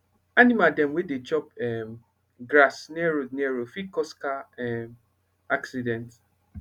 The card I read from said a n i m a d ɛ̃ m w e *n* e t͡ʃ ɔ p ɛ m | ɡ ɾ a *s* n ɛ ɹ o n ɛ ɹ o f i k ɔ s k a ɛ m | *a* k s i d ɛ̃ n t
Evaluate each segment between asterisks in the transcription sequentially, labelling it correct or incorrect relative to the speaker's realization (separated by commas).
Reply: incorrect, correct, correct